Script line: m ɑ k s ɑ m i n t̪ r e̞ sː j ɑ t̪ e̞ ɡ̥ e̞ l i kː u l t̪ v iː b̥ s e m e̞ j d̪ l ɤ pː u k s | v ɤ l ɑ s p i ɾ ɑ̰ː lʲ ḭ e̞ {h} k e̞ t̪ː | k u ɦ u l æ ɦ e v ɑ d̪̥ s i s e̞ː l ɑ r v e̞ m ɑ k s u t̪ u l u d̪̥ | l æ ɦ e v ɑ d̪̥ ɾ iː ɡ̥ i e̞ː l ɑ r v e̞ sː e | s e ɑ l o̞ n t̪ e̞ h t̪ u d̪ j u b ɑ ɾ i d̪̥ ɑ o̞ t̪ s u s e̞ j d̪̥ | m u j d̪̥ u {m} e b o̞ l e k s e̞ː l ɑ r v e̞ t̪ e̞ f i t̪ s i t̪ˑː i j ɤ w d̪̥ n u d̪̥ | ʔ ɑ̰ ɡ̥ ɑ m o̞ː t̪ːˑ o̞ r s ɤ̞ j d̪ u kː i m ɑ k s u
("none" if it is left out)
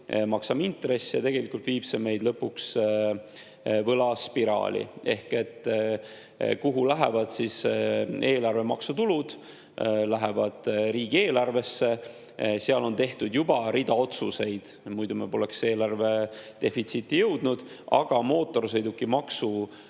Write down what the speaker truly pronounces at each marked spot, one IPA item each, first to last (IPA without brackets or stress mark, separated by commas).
h, m